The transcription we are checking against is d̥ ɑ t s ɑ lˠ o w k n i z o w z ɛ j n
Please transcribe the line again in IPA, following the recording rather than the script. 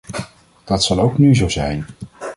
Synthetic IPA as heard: d̥ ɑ t s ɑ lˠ o w k n y z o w z ɛ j n